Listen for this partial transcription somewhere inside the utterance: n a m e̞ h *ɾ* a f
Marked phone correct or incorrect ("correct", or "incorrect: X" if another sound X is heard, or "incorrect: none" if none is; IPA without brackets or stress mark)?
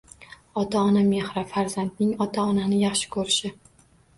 correct